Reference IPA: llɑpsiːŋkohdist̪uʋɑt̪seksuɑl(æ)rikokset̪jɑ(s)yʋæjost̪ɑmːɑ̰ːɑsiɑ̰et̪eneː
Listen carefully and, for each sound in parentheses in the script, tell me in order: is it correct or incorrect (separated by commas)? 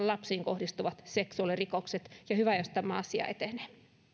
incorrect, incorrect